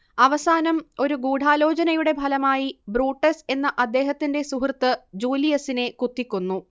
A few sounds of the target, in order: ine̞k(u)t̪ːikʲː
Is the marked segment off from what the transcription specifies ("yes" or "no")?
no